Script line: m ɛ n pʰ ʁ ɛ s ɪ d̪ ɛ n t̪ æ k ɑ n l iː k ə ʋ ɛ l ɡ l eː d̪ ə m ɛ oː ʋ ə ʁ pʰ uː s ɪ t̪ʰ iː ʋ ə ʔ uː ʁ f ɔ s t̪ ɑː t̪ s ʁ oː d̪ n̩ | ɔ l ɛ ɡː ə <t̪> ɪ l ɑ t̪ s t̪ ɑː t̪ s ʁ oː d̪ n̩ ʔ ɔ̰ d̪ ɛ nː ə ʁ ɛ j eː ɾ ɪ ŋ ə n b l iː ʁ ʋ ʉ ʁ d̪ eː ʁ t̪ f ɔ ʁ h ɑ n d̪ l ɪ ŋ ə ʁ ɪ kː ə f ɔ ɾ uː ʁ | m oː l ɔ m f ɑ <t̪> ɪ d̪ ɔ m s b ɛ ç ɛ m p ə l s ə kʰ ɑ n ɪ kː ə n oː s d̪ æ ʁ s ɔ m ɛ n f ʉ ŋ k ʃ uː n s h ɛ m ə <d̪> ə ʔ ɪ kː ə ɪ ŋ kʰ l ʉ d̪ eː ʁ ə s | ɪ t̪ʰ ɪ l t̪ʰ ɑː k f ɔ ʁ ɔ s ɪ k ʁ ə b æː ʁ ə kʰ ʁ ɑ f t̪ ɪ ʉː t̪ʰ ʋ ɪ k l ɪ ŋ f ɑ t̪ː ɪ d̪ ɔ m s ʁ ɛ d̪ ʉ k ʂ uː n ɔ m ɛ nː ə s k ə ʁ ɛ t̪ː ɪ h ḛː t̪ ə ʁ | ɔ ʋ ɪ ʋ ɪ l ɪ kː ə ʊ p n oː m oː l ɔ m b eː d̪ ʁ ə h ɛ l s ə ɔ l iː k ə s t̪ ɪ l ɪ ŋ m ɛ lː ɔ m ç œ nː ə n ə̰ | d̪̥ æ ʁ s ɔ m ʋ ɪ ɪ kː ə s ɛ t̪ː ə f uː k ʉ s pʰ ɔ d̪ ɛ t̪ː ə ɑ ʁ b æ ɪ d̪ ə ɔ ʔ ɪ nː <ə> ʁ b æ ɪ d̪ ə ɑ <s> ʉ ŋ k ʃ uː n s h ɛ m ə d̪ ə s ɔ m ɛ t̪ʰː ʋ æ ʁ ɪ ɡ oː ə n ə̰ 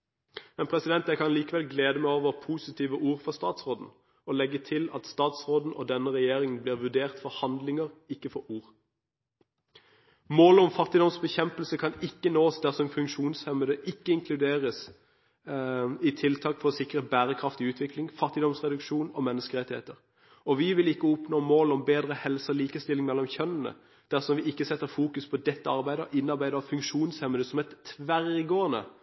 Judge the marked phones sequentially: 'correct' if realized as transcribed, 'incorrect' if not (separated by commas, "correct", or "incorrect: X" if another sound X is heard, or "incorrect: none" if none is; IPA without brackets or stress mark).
incorrect: t̪ʰ, correct, correct, incorrect: ɑ, incorrect: f